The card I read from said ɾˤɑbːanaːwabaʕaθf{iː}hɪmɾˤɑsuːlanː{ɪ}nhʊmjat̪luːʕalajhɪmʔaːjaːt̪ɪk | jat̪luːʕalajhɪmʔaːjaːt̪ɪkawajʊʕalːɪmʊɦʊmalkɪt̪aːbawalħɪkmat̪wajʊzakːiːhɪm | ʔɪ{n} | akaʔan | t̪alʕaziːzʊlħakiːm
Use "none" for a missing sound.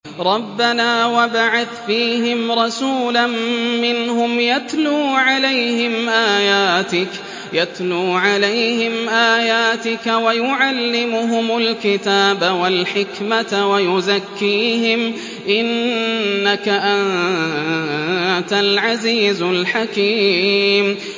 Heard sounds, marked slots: iː, ɪ, nː

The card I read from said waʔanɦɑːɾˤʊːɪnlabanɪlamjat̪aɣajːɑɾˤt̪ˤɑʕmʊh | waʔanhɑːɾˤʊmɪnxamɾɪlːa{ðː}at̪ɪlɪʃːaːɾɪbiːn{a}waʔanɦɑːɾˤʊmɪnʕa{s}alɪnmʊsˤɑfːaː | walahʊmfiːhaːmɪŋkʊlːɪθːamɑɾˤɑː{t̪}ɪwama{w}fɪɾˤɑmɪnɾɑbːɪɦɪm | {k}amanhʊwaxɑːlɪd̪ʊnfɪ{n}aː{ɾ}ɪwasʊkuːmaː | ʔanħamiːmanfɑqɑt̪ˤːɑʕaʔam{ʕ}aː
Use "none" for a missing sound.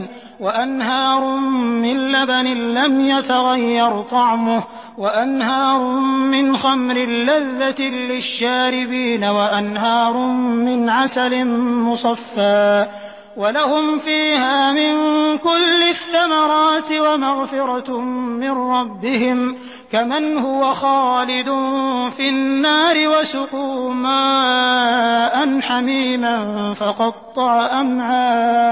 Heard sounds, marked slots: ðː, a, s, t̪, ɣ, k, nː, ɾ, ʕ

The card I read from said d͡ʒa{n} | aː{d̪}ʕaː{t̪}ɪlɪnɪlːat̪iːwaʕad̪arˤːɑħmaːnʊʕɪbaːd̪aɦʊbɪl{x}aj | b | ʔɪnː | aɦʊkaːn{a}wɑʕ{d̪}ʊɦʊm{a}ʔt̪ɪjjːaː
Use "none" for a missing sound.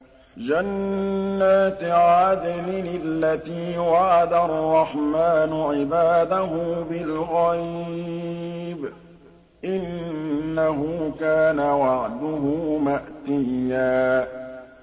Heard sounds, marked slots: nː, t̪, d̪, ɣ, a, d̪, a

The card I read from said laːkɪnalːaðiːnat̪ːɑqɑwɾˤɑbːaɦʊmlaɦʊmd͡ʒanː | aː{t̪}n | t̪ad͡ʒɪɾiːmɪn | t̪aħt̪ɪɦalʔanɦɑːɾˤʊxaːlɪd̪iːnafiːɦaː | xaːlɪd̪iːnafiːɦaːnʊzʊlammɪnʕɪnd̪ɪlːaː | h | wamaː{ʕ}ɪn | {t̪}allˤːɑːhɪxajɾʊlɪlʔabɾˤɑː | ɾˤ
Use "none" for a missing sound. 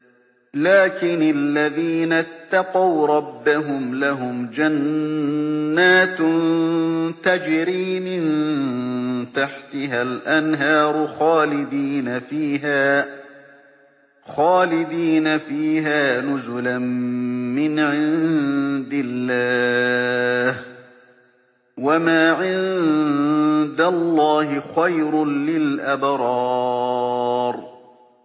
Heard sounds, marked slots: t̪, ʕ, d̪

